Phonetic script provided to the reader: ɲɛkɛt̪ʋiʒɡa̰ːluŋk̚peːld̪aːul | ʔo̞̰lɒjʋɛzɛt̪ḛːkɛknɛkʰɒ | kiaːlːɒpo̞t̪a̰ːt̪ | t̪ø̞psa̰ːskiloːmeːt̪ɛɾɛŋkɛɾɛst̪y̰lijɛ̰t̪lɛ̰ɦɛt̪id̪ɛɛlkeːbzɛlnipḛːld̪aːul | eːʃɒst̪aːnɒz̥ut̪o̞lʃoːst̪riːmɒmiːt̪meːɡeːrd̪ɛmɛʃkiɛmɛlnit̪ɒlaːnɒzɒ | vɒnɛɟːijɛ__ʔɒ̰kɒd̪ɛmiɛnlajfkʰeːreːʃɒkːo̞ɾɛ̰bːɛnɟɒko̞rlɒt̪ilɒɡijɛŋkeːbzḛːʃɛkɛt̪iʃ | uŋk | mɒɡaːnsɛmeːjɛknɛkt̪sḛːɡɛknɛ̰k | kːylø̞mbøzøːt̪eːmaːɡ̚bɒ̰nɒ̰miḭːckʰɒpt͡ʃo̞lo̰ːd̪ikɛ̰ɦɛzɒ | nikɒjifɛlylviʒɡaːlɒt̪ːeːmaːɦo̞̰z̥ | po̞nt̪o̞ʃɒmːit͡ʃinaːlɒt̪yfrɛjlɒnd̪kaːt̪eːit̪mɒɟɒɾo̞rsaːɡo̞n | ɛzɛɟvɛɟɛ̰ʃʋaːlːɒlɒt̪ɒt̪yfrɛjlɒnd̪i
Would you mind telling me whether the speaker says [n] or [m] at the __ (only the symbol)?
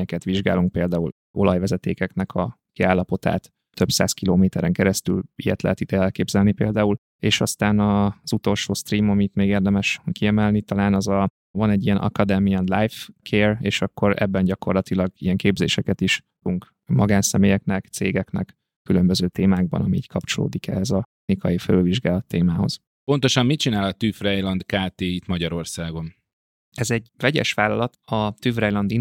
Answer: n